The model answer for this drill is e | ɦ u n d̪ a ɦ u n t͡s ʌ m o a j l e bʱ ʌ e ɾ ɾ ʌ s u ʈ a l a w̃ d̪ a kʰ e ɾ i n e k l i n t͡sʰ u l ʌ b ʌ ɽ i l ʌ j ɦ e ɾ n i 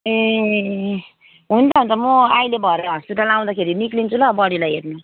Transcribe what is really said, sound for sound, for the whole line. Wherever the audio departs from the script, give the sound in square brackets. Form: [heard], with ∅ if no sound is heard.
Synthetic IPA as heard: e | ɦ u n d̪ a ɦ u n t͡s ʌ m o a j l e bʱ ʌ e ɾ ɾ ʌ s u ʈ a l a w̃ d̪ a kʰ e ɾ i n [i] k l i n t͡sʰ u l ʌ b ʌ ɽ i l [a] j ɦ e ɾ n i